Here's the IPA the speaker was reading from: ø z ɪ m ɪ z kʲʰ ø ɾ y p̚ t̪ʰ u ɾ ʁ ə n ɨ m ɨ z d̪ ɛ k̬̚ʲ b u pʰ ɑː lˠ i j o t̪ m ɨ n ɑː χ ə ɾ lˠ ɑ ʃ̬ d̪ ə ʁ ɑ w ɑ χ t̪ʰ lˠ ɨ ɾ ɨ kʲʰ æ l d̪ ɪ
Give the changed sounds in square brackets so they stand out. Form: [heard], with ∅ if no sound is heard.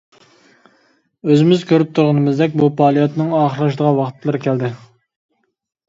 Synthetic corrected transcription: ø z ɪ m ɪ z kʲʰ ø ɾ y p̚ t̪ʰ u ɾ ʁ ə n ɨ m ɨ z d̪ ɛ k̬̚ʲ b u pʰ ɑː lˠ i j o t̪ [n] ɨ [ŋ] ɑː χ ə ɾ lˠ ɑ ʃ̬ d̪ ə ʁ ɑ w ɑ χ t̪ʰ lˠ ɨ ɾ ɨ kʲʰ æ l d̪ ɪ